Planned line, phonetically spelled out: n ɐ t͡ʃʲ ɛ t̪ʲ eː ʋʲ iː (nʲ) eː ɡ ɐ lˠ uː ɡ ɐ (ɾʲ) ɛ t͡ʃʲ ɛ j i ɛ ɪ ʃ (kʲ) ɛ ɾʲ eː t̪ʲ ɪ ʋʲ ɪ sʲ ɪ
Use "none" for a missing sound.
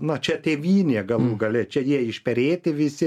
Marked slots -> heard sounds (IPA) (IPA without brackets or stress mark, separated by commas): nʲ, lʲ, pʲ